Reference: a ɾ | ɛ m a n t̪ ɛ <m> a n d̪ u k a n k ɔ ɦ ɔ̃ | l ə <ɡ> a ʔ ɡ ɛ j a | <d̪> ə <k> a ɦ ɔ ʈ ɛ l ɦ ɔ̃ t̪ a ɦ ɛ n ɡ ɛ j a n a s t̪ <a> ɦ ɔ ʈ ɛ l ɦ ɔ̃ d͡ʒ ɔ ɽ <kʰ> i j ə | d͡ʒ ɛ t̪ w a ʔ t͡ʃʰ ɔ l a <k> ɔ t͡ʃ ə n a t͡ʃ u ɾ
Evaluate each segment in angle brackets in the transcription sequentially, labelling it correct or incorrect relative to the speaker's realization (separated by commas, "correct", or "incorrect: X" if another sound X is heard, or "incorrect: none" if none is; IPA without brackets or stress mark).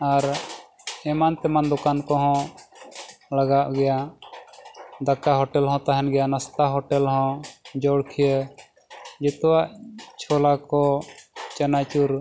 correct, correct, correct, correct, correct, correct, correct